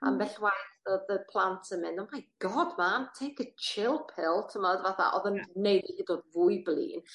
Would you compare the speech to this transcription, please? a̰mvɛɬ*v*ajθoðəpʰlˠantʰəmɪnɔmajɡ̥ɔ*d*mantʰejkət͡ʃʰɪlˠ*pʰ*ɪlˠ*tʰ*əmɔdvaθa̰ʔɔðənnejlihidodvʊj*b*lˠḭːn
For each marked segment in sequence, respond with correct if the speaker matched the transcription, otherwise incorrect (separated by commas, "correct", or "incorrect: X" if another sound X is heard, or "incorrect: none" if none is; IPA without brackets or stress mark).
incorrect: w, correct, correct, correct, correct